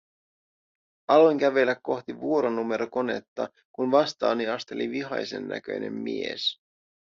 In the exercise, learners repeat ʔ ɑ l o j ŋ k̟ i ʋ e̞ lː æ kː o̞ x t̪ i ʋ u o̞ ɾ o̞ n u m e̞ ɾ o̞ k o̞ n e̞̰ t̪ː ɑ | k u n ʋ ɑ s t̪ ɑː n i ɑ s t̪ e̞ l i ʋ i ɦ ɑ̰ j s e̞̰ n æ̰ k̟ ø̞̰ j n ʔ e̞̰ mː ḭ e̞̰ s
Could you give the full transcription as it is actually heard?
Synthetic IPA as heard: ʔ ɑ l o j ŋ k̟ æ ʋ e̞ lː æ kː o̞ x t̪ i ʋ u o̞ ɾ o̞ n u m e̞ ɾ o̞ k o̞ n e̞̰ t̪ː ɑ | k u n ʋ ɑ s t̪ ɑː n i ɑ s t̪ e̞ l i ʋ i ɦ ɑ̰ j s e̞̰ nː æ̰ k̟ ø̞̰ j n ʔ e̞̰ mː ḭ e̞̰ s